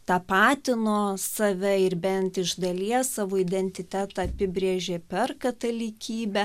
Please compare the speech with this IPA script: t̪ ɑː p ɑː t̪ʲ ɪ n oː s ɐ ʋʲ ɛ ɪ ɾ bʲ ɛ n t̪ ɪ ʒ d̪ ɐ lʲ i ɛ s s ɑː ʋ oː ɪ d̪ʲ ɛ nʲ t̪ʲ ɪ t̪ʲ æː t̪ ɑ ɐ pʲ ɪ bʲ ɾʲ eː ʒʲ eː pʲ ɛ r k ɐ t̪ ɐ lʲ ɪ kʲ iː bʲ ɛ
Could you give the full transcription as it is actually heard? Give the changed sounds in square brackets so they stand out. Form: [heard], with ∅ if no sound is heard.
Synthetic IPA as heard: t̪ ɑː p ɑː t̪ʲ ɪ n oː s ɐ ʋʲ ɛ ɪ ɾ bʲ ɛ n t̪ ɪ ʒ d̪ ɐ lʲ i ɛ s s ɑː ʋ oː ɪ d̪ʲ ɛ nʲ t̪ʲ ɪ t̪ʲ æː t̪ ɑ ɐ pʲ ɪ bʲ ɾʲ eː ʒʲ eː pʲ ɛ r k ɐ t̪ ɐ lʲ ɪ kʲ iː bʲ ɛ